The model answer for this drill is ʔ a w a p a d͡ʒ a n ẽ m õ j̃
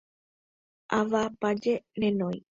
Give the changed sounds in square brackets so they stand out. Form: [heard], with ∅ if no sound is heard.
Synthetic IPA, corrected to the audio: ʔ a [ʋ] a p a d͡ʒ [e] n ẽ [n] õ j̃